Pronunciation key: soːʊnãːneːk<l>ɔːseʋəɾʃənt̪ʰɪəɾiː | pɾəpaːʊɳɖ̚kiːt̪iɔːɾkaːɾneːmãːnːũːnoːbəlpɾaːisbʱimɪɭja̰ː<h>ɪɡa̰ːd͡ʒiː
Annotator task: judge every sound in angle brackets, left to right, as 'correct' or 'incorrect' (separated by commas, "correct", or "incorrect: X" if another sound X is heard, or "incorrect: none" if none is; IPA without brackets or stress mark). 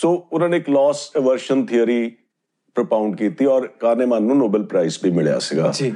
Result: correct, incorrect: s